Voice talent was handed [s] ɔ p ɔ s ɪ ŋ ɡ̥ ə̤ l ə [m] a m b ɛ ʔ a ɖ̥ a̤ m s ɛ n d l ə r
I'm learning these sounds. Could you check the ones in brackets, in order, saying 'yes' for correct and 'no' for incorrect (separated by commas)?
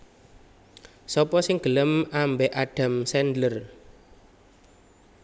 yes, yes